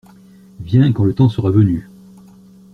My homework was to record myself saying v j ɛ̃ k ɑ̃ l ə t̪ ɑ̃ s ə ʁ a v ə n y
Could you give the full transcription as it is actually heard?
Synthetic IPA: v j ɛ̃ k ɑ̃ l ə t̪ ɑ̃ s ə ʁ a v ə n y